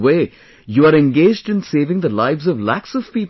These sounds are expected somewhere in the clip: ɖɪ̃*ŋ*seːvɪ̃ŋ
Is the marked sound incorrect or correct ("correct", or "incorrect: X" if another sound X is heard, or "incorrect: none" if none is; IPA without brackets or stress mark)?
incorrect: n